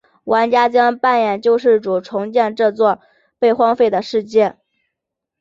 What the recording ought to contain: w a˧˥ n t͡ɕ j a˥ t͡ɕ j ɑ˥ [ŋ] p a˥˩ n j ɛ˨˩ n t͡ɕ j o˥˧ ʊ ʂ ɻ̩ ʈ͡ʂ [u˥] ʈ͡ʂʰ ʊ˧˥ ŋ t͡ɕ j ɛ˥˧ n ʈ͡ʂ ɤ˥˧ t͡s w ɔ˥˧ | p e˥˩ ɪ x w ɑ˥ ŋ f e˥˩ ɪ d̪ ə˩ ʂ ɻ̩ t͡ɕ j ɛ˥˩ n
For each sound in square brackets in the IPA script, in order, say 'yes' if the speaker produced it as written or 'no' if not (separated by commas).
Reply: yes, no